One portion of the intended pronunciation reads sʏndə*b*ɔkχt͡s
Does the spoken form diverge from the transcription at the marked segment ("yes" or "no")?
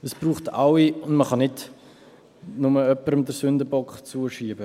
no